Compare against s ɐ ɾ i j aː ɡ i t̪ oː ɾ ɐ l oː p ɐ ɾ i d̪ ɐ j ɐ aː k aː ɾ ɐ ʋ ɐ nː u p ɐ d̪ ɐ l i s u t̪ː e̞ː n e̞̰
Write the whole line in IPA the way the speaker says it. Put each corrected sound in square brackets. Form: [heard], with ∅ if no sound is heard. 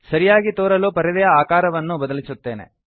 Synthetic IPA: s ɐ ɾ i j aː ɡ i t̪ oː ɾ ɐ l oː p ɐ ɾ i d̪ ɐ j ɐ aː k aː ɾ ɐ ʋ ɐ nː u [b] ɐ d̪ ɐ l i s u t̪ː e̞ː n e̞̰